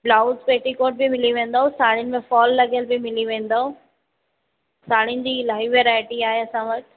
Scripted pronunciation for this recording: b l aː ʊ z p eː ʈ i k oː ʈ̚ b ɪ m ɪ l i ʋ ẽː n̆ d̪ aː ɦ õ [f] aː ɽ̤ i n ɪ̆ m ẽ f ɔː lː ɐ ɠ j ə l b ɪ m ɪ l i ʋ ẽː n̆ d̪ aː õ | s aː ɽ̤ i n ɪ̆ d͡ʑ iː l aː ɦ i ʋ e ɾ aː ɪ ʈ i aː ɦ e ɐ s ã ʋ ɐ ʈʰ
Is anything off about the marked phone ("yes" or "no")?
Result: yes